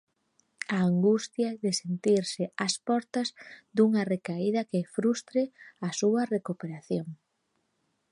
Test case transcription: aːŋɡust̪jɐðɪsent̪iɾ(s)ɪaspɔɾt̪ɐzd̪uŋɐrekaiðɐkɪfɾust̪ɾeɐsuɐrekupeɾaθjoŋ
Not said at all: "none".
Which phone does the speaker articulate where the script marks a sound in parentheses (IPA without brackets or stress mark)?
s